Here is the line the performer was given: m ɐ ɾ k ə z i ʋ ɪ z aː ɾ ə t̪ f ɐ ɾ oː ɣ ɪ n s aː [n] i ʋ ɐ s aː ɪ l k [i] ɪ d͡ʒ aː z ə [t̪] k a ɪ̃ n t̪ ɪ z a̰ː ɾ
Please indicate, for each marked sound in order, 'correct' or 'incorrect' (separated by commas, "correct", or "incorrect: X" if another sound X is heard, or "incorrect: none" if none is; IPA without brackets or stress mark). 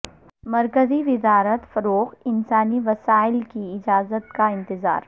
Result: correct, correct, correct